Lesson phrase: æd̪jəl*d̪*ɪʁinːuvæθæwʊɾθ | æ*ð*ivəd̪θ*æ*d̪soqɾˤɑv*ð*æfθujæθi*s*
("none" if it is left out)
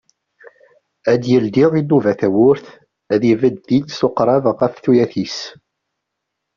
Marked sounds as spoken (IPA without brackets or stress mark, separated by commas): d̪, ð, i, ʁ, s